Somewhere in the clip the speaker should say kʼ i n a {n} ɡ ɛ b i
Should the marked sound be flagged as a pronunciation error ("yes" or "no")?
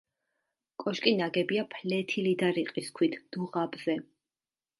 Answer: yes